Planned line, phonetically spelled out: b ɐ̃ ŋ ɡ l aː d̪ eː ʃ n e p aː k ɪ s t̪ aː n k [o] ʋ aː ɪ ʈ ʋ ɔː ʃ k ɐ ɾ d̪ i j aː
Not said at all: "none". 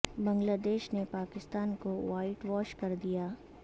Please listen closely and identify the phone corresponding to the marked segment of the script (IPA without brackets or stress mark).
o